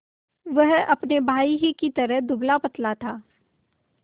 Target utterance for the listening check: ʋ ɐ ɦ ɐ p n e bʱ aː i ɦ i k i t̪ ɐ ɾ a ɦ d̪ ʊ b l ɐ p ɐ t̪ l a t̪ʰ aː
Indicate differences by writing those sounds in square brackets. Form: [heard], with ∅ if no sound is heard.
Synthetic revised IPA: ʋ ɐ ɦ ɐ p n e bʱ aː i ɦ i k i t̪ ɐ ɾ [ə] ɦ d̪ ʊ b l [a] p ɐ t̪ l a t̪ʰ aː